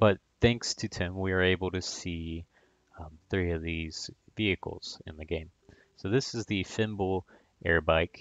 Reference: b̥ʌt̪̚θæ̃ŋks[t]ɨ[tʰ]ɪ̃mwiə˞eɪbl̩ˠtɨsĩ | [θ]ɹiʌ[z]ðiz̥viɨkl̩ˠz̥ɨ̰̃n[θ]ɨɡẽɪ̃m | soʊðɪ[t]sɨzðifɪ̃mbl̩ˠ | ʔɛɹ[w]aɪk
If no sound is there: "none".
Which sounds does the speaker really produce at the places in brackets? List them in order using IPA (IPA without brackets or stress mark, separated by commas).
tʰ, tʰ, θ, v, ð, none, b